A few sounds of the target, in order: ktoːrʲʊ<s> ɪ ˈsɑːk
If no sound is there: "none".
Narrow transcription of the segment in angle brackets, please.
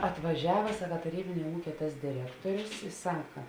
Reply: s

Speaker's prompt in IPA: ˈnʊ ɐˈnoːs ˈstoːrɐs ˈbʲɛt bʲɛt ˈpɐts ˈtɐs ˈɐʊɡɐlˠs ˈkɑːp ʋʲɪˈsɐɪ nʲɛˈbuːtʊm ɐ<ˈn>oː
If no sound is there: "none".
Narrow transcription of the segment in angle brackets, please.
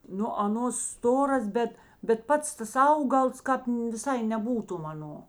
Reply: n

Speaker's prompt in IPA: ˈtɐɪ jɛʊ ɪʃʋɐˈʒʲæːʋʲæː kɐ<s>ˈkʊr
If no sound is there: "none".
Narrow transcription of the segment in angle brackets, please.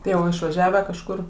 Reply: ʃ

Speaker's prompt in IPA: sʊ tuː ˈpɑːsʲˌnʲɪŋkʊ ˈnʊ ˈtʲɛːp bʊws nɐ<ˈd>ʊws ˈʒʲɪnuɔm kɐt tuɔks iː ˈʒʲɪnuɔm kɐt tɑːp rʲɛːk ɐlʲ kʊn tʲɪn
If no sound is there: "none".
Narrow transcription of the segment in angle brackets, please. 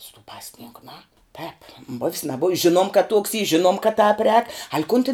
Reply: b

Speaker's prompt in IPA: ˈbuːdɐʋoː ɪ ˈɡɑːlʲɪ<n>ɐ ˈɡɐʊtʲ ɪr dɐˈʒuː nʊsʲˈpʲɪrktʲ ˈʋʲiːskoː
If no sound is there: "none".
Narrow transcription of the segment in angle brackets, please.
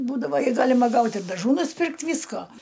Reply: m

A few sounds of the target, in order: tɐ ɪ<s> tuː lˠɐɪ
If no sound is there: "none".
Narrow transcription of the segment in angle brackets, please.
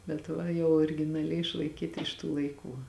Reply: ʃ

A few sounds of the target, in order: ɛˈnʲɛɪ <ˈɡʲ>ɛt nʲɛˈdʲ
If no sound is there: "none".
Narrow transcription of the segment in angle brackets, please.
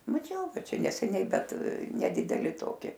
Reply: bʲ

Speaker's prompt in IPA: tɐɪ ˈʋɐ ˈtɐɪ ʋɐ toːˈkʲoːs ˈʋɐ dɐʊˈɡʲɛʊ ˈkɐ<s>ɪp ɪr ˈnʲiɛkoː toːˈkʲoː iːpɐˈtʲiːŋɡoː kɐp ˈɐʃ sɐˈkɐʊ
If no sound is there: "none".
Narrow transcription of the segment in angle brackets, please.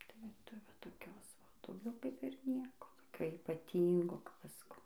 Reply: none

